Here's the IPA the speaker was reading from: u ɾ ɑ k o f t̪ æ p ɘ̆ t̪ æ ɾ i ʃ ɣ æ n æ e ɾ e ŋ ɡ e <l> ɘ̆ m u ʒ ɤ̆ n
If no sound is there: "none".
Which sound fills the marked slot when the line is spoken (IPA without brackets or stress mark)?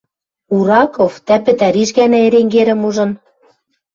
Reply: ɾ